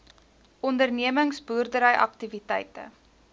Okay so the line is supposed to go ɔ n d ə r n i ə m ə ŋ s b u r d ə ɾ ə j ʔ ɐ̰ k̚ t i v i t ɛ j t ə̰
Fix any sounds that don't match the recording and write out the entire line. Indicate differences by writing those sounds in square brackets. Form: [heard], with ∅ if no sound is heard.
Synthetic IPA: ɔ n d ə r n i ə m ə ŋ s b u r d ə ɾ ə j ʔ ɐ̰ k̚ t i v i t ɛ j t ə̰